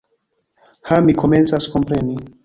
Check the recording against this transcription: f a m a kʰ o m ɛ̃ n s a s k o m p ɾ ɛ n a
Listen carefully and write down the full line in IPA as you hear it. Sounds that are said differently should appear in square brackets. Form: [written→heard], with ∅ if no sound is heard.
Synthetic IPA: [f→h] a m [a→i] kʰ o m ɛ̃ n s a s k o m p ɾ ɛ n [a→i]